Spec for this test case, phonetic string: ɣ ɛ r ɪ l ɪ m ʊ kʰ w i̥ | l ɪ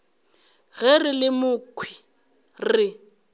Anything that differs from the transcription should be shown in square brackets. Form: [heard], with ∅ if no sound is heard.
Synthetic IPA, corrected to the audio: ɣ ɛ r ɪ l ɪ m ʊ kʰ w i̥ | [r] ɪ

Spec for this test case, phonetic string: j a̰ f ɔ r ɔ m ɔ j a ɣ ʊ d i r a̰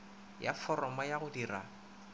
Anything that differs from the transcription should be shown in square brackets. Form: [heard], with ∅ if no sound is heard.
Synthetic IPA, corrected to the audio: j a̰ f ɔ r ɔ m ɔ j a ɣ ʊ d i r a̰

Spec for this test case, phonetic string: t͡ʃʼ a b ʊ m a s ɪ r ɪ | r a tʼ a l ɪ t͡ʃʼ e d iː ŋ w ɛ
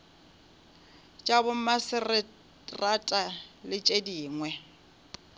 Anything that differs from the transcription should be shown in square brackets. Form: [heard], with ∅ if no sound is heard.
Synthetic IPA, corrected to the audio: t͡ʃʼ a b ʊ m a s ɪ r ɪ | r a tʼ a l ɪ t͡ʃʼ e d iː ŋ w ɛ

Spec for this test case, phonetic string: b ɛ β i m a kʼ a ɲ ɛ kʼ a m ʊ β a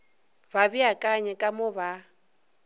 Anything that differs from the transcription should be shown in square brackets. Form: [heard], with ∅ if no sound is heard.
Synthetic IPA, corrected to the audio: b [a] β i [∅] a kʼ a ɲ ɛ kʼ a m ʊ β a

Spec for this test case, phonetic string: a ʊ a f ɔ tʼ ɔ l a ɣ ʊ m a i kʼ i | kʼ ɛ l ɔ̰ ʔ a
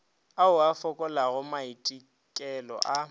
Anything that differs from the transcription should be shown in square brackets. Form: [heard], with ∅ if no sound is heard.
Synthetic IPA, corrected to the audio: a ʊ a f ɔ [kʼ] ɔ l a ɣ ʊ m a i [tʼ] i | kʼ ɛ l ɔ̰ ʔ a

